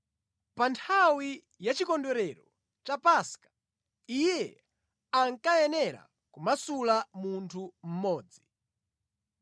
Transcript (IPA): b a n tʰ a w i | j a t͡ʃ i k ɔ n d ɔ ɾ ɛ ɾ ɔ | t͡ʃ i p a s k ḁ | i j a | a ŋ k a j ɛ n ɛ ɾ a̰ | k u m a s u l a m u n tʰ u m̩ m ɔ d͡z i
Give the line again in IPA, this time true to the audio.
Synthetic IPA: p a n tʰ a w i | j a t͡ʃ i k ɔ n d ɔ ɾ ɛ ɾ ɔ | t͡ʃ a p a s k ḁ | i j ɛ | a ŋ k a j ɛ n ɛ ɾ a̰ | k u m a s u l a m u n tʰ u m̩ m ɔː d͡z i